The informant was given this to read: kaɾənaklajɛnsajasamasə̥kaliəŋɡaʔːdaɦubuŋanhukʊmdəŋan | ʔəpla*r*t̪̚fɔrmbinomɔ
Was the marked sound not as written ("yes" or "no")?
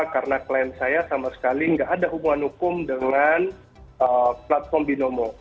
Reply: yes